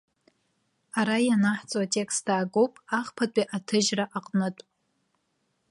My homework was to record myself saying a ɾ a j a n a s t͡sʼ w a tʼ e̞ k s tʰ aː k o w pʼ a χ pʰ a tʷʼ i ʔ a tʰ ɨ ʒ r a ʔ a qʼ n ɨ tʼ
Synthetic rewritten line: a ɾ a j a n a ħ t͡sʼ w a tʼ e̞ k s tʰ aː ɡ o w pʼ a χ pʰ a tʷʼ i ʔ a tʰ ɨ ʒ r a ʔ a qʼ n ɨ tʼ